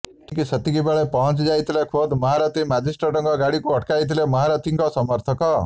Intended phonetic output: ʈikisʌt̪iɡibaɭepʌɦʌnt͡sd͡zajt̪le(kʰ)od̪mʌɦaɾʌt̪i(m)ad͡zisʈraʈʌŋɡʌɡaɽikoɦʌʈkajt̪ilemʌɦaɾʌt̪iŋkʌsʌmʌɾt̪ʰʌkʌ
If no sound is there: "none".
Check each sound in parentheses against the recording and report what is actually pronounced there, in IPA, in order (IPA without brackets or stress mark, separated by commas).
kʰ, m